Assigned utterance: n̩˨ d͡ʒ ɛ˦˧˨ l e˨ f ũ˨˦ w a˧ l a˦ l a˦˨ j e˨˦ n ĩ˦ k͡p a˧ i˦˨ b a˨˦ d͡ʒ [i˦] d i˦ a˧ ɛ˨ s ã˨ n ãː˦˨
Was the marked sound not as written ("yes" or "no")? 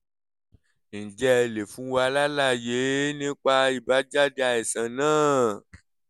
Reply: yes